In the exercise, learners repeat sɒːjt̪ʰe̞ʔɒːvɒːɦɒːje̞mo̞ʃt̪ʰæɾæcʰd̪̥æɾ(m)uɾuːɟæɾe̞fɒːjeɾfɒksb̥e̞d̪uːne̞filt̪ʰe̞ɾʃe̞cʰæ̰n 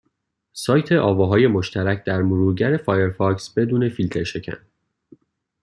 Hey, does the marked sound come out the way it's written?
yes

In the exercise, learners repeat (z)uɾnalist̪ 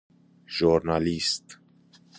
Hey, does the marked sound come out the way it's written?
no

